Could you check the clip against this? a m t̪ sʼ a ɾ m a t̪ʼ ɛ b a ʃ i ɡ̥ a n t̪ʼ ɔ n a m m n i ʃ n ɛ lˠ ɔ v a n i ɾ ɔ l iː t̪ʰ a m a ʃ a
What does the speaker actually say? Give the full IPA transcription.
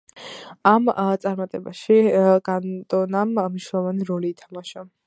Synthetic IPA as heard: a m t̪ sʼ a ɾ m a t̪ʼ ɛ b a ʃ i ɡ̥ a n t̪ʼ ɔ n a m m n i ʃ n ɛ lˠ ɔ v a n i ɾ ɔ l iː t̪ʰ a m a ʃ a